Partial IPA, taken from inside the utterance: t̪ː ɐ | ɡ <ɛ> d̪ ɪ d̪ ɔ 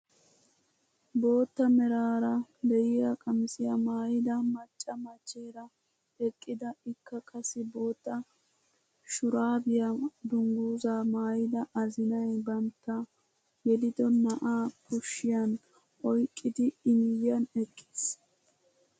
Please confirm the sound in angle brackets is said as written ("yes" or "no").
yes